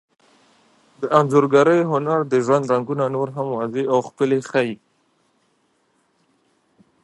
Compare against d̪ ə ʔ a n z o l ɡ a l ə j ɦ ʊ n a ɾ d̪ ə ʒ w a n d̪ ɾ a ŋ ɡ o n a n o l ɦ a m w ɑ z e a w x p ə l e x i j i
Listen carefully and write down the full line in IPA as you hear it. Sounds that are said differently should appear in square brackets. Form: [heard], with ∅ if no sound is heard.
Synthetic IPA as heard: d̪ ə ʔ a n z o [ɾ] ɡ a [ɾ] ə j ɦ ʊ n a ɾ d̪ ə ʒ w a n d̪ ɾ a ŋ ɡ [u] n a n o [ɾ] ɦ a m w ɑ z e a w x p ə l e x [a] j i